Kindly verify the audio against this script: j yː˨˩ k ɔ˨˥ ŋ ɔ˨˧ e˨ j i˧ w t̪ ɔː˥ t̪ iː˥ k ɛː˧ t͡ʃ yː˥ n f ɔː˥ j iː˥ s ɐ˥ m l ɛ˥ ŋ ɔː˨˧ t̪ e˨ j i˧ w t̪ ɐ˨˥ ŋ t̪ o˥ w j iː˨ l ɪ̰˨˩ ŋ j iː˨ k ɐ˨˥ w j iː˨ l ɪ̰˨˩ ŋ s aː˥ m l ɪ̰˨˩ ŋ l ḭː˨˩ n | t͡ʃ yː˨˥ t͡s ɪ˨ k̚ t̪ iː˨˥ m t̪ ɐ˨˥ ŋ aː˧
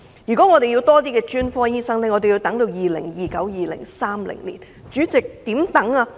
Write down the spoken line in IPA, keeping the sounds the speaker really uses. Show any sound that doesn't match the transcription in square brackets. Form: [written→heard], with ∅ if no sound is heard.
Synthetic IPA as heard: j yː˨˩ k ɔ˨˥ ŋ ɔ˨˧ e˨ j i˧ w t̪ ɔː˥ t̪ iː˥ k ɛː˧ t͡ʃ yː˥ n f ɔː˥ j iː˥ s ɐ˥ [m→ŋ] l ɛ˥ ŋ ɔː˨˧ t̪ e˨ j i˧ w t̪ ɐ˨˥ ŋ t̪ [o˥→o˧] w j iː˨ l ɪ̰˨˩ ŋ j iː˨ k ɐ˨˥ w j iː˨ l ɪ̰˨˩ ŋ s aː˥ m l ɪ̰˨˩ ŋ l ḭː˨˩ n | t͡ʃ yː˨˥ t͡s ɪ˨ k̚ t̪ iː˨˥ m t̪ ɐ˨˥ ŋ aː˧